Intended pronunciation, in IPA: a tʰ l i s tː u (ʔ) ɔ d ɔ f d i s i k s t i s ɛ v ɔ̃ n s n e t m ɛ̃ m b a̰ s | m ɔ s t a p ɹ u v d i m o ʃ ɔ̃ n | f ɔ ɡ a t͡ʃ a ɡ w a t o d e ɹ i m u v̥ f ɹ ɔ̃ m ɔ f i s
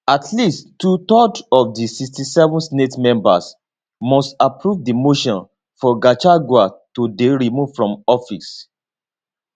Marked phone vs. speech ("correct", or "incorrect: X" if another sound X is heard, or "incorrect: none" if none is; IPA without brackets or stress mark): incorrect: t